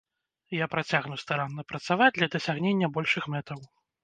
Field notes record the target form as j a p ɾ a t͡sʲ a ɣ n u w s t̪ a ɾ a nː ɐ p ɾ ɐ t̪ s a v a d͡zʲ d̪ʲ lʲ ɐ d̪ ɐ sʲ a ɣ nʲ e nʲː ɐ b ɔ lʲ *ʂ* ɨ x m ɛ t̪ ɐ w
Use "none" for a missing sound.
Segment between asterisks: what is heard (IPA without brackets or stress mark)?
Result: ʂ